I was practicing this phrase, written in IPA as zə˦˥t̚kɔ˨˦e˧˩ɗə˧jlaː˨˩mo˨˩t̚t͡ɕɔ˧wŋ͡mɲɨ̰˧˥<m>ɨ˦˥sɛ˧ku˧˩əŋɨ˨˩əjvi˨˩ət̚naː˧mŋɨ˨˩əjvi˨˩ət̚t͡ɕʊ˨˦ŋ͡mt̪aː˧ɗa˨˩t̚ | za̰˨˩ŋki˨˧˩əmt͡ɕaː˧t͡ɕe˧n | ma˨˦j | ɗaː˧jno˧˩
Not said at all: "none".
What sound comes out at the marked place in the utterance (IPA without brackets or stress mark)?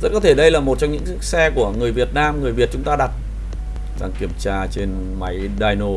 ŋ